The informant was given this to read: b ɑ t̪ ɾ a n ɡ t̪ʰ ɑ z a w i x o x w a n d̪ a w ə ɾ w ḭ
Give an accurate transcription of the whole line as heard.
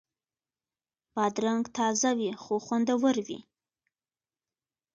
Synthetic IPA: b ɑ d̪ ɾ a ŋ ɡ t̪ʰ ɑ z a w i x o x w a n d̪ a w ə ɾ w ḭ